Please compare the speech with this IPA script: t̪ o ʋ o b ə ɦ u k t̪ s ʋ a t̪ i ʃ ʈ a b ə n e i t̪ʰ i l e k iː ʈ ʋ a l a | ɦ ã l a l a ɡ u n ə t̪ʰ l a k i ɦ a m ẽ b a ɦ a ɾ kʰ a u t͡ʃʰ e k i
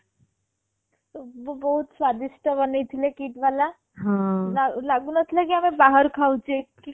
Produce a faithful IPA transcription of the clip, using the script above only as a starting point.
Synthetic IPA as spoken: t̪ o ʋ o b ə ɦ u t̪ s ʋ a d̪ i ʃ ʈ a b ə n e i t̪ʰ i l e k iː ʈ ʋ a l a | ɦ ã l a l a ɡ u n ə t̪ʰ l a k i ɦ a m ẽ b a ɦ ə ɾ kʰ a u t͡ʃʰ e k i